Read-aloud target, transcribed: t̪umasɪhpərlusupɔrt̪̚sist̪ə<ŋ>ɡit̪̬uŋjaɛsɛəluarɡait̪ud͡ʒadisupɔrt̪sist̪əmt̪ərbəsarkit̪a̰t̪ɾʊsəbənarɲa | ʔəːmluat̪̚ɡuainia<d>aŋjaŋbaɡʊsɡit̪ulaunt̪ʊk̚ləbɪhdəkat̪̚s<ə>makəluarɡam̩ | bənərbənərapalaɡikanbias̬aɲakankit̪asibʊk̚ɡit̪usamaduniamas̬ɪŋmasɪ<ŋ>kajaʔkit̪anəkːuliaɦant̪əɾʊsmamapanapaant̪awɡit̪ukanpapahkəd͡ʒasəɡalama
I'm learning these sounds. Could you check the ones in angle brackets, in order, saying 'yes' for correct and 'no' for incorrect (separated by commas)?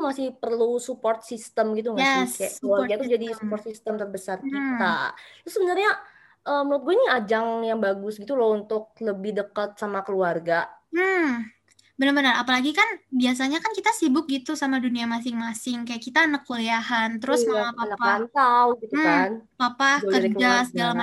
no, no, no, yes